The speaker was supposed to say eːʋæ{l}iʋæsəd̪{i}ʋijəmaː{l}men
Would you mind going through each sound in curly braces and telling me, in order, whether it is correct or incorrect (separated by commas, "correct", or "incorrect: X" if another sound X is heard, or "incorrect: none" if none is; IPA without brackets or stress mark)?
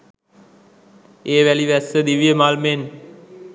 correct, correct, correct